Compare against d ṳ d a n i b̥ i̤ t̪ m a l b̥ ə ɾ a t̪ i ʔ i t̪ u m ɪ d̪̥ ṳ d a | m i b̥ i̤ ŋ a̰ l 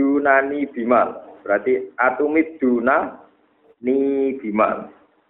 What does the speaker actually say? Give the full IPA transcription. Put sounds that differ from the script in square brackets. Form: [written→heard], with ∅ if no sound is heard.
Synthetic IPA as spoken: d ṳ [d→n] a n i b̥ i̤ [t̪→∅] m a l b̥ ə ɾ a t̪ i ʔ [i→a] t̪ u m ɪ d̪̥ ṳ [d→n] a | [m→n] i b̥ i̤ [ŋ→m] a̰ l